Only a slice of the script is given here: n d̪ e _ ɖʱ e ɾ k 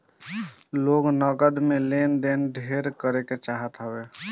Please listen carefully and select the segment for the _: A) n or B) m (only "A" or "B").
A